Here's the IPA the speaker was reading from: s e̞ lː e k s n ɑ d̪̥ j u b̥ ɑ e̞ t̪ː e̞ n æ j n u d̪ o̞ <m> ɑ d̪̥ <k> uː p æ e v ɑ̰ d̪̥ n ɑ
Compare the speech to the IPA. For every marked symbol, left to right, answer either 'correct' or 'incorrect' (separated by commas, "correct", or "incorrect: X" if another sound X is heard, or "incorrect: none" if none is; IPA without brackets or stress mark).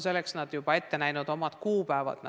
correct, correct